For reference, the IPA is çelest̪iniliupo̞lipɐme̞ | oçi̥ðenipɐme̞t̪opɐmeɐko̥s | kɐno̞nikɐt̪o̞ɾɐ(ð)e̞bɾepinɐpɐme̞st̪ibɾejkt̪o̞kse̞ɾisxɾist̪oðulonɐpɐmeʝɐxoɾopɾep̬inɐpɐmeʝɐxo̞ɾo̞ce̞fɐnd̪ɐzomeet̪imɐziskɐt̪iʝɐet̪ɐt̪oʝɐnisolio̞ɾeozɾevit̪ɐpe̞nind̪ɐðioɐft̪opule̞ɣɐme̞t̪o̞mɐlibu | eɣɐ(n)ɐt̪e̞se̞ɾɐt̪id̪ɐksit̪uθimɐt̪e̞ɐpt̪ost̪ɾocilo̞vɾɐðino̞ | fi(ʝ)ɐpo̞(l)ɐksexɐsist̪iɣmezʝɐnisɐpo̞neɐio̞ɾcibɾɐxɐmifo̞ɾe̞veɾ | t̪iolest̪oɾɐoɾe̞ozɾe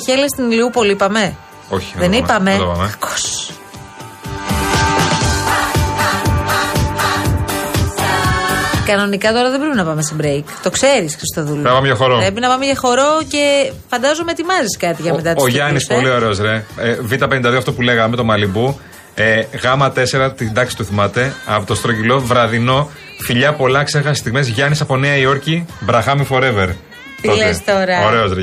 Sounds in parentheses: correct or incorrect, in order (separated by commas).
correct, incorrect, incorrect, correct